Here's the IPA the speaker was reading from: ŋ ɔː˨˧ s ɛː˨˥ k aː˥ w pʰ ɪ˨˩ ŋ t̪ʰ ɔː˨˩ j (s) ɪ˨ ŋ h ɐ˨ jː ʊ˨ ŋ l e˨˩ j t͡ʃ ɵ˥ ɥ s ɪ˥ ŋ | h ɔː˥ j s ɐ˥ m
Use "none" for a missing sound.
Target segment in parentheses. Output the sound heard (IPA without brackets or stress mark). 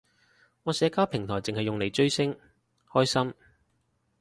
t͡s